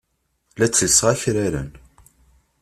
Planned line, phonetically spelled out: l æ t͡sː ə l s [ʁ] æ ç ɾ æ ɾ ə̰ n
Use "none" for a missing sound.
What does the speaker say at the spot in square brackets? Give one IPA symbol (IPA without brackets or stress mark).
ʁ